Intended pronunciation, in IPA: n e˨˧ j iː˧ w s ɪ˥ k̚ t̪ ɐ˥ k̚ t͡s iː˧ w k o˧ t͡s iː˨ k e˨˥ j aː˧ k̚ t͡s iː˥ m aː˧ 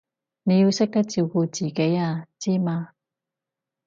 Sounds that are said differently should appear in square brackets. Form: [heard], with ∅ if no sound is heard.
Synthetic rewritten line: n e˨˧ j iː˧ w s ɪ˥ k̚ t̪ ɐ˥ k̚ t͡s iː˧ w k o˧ t͡s iː˨ k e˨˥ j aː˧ [∅] t͡s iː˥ m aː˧